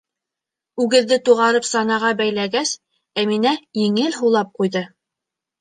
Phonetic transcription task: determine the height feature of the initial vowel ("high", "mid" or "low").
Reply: high